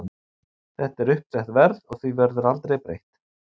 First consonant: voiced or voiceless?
voiceless